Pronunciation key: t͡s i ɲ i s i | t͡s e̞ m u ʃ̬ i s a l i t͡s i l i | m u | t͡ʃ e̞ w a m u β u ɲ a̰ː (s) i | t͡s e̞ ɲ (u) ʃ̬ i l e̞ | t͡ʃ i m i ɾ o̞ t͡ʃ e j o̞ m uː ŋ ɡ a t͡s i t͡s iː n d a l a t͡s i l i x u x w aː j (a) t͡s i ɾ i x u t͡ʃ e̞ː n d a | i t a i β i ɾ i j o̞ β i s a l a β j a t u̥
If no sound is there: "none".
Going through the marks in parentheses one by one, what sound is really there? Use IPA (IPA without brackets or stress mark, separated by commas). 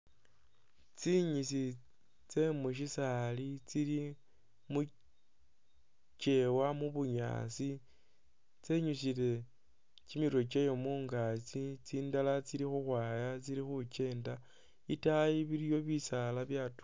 s, u, a